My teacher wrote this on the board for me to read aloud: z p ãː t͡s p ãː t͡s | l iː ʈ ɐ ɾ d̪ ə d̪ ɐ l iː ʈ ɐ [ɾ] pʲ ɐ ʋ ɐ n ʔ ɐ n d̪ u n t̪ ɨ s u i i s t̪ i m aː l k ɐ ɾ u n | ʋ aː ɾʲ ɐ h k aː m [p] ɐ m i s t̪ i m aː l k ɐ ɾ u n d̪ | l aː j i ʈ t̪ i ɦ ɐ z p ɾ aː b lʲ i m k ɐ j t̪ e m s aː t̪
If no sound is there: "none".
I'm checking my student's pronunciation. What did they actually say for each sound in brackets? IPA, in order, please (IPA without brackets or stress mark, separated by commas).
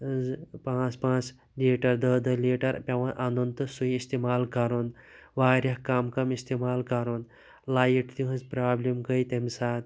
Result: ɾ, k